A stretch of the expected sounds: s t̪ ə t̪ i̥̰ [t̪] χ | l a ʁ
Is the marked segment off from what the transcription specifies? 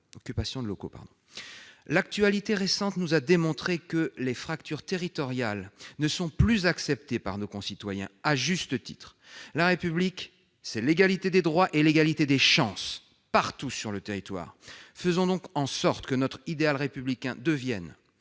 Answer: no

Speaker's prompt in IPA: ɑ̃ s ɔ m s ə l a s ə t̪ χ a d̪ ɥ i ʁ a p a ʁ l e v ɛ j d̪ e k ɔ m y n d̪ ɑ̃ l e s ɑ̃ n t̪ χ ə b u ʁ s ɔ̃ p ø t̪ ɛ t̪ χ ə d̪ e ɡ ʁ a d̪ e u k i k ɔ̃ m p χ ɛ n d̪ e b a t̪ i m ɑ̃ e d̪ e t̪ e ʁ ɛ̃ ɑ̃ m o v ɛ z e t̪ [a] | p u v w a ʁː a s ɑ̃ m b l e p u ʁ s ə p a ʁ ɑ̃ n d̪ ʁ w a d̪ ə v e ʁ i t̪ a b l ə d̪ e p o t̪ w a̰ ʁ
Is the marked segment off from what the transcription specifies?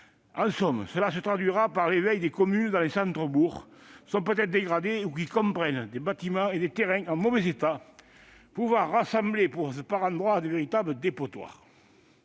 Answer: no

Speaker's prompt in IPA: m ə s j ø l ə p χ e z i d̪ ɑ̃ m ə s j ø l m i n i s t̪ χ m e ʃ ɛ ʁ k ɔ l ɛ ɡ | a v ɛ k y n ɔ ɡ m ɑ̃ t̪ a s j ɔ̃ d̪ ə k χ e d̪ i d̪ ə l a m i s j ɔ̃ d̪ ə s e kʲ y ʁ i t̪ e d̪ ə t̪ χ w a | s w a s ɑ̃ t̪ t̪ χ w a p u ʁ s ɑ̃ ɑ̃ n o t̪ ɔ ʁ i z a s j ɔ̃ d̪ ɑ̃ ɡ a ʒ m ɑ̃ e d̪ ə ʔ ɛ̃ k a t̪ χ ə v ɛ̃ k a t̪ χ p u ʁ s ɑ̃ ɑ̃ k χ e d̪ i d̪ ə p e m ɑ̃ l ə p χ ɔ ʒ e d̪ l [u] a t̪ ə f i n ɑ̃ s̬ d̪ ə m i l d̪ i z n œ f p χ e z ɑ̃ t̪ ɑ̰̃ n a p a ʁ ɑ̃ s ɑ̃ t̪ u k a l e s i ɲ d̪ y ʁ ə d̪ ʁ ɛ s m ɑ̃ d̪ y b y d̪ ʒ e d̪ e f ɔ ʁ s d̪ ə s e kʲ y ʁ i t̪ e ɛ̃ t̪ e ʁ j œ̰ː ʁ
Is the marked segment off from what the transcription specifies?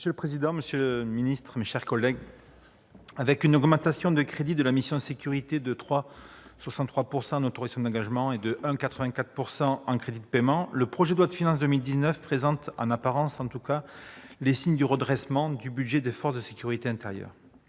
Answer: yes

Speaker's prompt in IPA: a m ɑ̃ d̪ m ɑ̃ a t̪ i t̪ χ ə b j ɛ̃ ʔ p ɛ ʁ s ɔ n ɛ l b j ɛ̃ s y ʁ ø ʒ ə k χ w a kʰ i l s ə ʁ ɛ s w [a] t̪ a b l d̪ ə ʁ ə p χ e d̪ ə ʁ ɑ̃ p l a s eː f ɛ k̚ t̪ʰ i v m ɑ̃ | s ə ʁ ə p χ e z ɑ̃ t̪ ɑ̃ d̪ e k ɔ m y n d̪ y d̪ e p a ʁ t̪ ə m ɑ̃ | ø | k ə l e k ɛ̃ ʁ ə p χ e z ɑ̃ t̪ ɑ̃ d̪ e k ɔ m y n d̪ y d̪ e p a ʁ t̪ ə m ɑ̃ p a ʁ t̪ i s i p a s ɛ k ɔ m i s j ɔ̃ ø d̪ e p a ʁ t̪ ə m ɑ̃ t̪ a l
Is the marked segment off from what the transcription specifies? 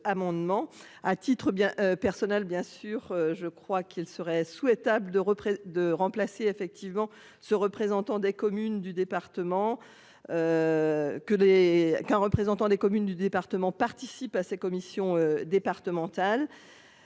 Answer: yes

